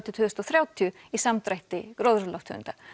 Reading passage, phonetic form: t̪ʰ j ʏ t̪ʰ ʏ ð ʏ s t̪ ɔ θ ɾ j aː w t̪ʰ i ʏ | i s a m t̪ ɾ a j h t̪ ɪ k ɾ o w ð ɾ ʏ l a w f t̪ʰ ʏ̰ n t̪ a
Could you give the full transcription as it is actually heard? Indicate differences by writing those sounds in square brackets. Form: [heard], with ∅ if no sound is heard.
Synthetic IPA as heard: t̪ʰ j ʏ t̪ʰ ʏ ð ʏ s t̪ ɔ θ ɾ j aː w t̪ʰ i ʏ | i s a m t̪ ɾ a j h t̪ ɪ k ɾ o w ð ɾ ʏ l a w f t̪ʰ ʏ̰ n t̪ a